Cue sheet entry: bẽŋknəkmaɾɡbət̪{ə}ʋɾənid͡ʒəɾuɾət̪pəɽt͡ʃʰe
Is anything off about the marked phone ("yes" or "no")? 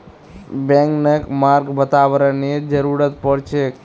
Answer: yes